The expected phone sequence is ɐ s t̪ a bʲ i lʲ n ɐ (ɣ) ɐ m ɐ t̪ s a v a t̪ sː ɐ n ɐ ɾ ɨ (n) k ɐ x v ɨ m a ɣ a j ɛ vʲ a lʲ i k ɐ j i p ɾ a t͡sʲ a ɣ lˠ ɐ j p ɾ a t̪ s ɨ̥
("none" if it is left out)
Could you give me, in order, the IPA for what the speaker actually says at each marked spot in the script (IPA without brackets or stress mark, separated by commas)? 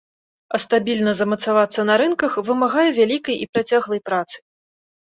z, n